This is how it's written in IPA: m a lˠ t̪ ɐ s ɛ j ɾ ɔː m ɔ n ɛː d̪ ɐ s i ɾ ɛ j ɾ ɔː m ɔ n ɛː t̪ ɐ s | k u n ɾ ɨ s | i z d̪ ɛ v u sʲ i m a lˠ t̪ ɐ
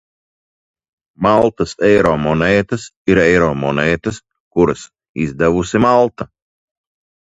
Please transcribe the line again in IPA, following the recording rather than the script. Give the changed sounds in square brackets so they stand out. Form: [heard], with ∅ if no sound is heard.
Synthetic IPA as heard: m a lˠ t̪ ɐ s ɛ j ɾ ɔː m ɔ n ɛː [t̪] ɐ s i ɾ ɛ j ɾ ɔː m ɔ n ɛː t̪ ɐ s | k u [∅] ɾ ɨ s | i z d̪ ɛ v u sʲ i m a lˠ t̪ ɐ